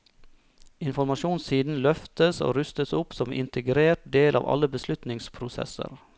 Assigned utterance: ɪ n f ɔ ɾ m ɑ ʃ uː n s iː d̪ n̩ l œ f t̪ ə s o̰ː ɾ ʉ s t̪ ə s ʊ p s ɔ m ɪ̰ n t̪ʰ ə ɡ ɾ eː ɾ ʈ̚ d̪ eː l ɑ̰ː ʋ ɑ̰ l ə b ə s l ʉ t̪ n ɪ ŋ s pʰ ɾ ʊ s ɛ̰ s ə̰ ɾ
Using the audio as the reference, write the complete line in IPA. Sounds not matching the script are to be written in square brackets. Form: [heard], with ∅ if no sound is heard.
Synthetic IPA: ɪ n f ɔ ɾ m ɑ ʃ uː n s iː d̪ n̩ l œ f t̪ ə s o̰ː ɾ ʉ s t̪ ə s ʊ p s ɔ m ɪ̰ n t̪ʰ ə ɡ ɾ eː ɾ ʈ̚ d̪ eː l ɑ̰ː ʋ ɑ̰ l ə b ə s l ʉ t̪ n ɪ ŋ s pʰ ɾ ʊ s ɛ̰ s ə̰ ɾ